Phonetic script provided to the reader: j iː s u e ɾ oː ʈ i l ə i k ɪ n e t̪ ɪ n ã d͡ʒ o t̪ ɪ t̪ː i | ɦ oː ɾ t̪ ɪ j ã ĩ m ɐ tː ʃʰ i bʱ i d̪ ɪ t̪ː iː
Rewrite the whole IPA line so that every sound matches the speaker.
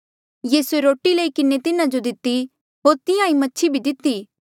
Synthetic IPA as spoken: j iː s u e ɾ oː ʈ i l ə i k ɪ n e t̪ ɪ n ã d͡ʒ o d̪ ɪ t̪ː i | ɦ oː ɾ t̪ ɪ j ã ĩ m ɐ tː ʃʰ i bʱ i d̪ ɪ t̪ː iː